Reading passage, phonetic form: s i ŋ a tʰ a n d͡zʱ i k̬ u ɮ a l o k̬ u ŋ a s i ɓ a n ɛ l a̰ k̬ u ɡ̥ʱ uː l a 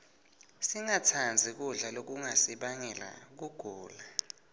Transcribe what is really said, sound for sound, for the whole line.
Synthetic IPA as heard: s i ŋ a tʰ a n d͡zʱ i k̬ u ɮ a l o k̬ u ŋ a s i ɓ a ŋ ɛ l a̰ k̬ u ɡ̥ʱ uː l a